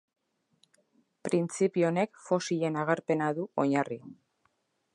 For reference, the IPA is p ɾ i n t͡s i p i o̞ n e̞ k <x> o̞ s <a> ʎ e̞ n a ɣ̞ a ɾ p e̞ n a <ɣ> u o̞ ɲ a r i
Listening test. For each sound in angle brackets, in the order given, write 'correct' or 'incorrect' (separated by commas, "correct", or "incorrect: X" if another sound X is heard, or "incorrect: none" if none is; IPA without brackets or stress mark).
incorrect: f, incorrect: i, incorrect: ð